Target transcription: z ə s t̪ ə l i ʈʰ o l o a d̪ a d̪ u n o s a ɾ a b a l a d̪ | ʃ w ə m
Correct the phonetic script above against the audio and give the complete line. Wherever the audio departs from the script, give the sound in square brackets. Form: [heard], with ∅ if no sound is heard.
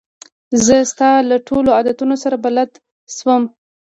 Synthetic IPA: z ə s t̪ [ɑ] l [a] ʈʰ o l o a d̪ a [t̪] u n o s a ɾ a b a l a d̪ | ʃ w ə m

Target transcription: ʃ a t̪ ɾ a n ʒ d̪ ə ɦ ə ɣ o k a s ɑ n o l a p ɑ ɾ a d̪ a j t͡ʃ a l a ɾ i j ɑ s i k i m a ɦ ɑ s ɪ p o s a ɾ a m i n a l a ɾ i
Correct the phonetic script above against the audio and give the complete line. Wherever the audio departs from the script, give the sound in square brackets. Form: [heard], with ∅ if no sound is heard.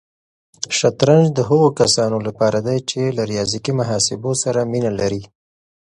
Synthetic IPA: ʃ a t̪ ɾ a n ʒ d̪ ə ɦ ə ɣ o k a s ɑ n o l a p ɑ ɾ a d̪ a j t͡ʃ [e] l a ɾ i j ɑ [z] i k i m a ɦ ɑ s ɪ [b] o s a ɾ a m i n a l a ɾ i

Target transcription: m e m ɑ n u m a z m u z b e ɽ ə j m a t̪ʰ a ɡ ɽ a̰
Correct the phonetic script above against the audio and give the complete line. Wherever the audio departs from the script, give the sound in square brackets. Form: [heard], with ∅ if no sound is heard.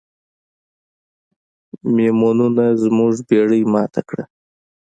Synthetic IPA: m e m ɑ n u [n] a z m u [ʐ] b e ɽ ə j m [ɑ] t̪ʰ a [k] ɽ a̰

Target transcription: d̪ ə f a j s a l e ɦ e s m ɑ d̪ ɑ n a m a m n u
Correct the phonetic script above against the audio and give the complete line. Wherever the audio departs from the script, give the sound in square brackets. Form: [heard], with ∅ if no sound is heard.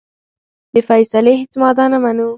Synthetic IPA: d̪ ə f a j s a l e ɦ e [t͡s] m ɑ d̪ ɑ n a m a [∅] n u

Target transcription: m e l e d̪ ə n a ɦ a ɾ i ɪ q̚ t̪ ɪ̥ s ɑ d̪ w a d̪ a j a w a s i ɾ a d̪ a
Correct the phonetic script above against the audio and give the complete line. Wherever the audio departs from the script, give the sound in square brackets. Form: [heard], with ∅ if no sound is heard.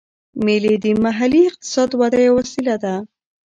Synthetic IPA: m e l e d̪ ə [m] a ɦ a [l] i ɪ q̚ t̪ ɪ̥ s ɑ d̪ w a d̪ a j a w a s i [l] a d̪ a

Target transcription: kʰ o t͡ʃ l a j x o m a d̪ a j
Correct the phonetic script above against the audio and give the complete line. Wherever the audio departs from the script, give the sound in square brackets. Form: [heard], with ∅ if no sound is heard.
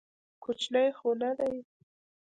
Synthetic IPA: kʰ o t͡ʃ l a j x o [n] a d̪ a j

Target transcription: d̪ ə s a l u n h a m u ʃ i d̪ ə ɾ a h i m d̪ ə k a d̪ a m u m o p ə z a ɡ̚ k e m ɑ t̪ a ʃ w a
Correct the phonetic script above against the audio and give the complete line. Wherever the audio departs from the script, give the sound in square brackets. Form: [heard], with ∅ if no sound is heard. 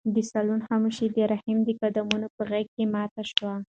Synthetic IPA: d̪ ə s a l u n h a m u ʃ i d̪ ə ɾ a h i m d̪ ə k a d̪ a m u [n] o p ə [ɣ] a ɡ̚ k e m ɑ t̪ a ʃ w a

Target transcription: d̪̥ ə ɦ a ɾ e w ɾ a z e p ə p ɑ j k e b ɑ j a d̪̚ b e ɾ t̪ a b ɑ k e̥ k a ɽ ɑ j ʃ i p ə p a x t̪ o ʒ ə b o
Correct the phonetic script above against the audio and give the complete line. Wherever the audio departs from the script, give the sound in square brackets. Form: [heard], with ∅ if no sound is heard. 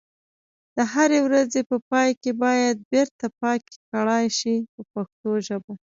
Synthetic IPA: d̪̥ ə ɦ a ɾ e w ɾ a z e p ə p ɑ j k e b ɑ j a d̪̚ b e ɾ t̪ a [p] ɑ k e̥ k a ɽ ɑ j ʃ i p ə p a x t̪ o ʒ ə b o

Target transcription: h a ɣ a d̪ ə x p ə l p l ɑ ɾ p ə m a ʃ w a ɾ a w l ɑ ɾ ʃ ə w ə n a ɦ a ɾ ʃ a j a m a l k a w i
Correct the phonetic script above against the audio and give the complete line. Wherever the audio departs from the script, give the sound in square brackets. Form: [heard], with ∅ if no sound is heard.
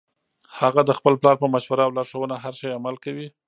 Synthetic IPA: h a ɣ a d̪ ə x p ə l p l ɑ ɾ p ə m a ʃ w a ɾ a w l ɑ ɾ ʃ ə w ə n a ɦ a ɾ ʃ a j a m a l k a w i

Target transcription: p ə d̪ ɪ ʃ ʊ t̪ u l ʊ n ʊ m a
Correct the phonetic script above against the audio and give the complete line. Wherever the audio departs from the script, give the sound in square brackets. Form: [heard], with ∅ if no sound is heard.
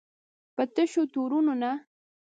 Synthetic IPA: p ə [t̪] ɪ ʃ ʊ t̪ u [ɾ] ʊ n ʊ [n] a

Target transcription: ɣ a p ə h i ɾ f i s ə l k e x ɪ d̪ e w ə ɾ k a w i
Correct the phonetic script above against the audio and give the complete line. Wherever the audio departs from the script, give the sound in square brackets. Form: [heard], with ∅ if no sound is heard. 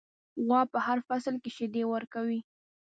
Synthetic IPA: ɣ [ɑ] p ə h [a] ɾ f [a] s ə l k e [ʃ] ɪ d̪ e w ə ɾ k a w i

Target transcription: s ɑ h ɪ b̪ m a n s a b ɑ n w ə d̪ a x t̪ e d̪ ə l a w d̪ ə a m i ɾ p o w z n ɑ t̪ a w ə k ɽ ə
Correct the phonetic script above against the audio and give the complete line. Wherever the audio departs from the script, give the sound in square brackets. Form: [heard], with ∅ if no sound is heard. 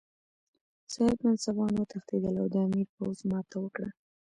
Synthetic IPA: s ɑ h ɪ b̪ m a n s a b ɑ n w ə [t̪] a x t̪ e d̪ ə l a w d̪ ə a m i ɾ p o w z [m] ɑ t̪ a w ə k ɽ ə

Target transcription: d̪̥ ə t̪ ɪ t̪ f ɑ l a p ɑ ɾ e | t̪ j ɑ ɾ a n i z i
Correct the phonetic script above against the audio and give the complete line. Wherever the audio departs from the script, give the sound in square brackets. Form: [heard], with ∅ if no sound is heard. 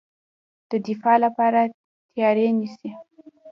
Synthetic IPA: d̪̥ ə [d̪] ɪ [∅] f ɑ l a p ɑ ɾ [a] | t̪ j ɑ ɾ [e] n i [s] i

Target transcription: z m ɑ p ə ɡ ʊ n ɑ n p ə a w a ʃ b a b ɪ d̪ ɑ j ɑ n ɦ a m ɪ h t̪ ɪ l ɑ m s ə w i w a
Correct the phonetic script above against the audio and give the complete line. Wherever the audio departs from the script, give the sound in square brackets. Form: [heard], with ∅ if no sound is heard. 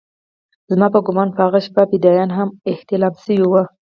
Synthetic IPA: z m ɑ p ə ɡ ʊ [m] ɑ n p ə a [ɣ] a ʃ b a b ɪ d̪ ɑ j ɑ n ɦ a m ɪ h t̪ ɪ l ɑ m s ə w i w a

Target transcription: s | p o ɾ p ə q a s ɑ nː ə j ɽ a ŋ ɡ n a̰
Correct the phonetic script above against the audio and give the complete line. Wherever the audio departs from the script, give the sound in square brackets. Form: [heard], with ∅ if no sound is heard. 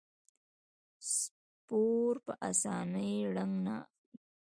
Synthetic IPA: s | p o ɾ p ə [ʔ] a s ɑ [n] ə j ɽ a ŋ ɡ n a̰

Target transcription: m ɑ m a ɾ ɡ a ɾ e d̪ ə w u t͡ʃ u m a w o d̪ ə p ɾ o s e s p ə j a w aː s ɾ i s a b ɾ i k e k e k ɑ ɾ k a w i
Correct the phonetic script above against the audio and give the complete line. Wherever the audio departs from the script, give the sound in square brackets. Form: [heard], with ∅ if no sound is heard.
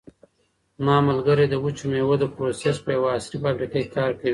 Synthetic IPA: m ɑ m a [l] ɡ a ɾ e d̪ ə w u t͡ʃ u m [e] w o d̪ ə p ɾ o s e s p ə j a w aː s ɾ i [f] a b ɾ i k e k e k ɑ ɾ k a w i

